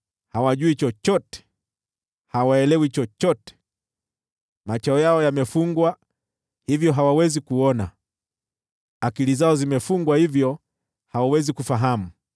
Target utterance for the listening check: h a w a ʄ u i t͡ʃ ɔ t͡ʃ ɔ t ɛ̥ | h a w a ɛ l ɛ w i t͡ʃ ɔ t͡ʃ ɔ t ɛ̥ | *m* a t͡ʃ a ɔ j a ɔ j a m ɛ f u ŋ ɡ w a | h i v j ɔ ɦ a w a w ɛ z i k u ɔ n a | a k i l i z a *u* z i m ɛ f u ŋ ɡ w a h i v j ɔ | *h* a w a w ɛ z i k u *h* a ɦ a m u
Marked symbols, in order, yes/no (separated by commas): yes, no, yes, no